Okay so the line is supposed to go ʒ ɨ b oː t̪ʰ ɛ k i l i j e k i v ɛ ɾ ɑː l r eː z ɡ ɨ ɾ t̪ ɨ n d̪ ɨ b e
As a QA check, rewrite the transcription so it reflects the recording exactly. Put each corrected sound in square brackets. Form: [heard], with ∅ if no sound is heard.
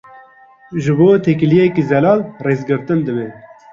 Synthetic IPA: ʒ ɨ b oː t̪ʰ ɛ k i l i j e k i [z] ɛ [l] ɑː l r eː z ɡ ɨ ɾ t̪ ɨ n d̪ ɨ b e